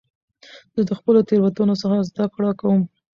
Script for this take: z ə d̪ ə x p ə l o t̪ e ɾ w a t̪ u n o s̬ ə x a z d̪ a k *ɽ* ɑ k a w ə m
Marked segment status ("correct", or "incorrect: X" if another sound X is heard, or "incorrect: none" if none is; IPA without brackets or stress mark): correct